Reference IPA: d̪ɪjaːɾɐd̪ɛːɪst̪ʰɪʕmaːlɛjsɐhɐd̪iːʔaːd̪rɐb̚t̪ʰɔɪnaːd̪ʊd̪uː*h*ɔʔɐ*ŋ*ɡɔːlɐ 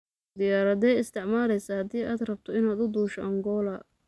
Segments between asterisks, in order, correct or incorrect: incorrect, correct

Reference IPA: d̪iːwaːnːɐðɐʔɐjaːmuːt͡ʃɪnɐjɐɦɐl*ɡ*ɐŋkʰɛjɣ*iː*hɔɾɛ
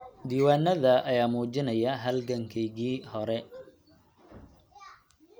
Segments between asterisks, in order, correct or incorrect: correct, correct

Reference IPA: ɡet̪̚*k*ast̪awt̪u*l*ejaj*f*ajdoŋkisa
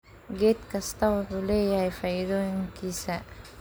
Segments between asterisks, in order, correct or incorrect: correct, correct, correct

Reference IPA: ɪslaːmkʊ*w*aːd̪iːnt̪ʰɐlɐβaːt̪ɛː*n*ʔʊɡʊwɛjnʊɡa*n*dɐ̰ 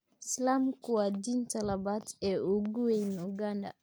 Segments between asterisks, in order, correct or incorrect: correct, incorrect, correct

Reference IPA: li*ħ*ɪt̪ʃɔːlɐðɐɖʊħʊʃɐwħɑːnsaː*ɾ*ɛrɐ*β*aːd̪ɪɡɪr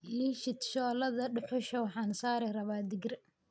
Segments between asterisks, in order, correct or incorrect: incorrect, correct, correct

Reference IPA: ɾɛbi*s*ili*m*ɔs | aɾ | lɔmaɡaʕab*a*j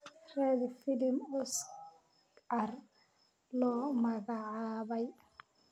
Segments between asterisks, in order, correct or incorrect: incorrect, correct, correct

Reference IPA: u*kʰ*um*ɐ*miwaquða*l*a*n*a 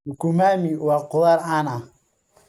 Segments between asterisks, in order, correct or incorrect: incorrect, incorrect, incorrect, correct

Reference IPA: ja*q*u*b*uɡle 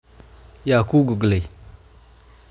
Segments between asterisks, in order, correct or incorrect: incorrect, incorrect

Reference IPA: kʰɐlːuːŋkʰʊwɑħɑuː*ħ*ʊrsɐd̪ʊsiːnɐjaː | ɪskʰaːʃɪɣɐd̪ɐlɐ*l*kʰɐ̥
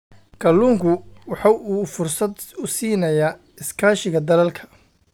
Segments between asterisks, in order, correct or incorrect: incorrect, correct

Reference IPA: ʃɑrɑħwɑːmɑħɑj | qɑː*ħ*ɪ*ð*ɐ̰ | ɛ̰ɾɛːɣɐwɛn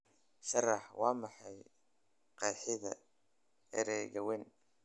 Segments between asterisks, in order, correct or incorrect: correct, correct

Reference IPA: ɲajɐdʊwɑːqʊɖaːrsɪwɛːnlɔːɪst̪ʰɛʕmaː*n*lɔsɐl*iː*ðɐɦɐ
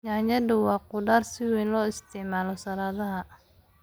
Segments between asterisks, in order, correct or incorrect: incorrect, incorrect

